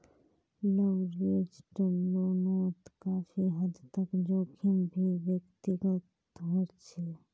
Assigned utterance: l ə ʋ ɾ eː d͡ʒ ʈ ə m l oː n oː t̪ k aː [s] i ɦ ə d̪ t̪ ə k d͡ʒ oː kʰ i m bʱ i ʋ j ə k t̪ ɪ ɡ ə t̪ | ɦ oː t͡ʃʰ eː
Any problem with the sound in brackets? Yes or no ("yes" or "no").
yes